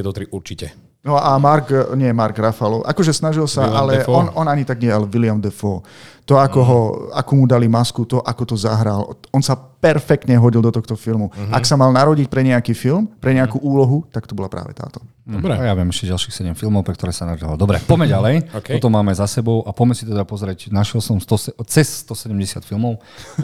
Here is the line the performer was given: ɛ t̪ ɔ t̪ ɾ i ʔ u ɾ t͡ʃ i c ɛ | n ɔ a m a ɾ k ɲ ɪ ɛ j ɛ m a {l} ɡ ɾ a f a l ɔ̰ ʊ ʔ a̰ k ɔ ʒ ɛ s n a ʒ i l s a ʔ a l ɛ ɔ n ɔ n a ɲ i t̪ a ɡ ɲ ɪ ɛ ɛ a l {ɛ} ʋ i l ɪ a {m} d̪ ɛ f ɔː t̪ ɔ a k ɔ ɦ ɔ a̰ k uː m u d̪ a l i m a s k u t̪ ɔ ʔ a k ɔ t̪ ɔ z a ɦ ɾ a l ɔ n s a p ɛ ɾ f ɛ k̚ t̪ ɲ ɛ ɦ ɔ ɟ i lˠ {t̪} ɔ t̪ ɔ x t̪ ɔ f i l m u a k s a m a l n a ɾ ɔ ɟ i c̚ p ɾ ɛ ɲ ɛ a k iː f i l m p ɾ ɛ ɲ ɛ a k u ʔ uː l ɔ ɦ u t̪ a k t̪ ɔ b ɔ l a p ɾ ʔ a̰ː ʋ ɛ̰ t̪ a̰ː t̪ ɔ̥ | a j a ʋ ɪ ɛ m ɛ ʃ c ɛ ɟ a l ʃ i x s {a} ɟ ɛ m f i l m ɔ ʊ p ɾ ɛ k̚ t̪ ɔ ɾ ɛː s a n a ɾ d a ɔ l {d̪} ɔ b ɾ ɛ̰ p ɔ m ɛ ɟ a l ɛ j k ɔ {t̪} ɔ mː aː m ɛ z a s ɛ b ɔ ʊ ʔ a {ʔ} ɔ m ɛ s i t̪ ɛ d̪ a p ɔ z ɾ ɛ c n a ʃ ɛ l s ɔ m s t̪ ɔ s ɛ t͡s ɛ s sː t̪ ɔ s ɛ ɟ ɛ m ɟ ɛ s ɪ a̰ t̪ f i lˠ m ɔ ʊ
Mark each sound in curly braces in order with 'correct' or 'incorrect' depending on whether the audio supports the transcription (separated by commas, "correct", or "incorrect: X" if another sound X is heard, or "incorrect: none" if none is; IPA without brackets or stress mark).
incorrect: ɾ, correct, correct, incorrect: d̪, incorrect: ɛ, correct, correct, incorrect: p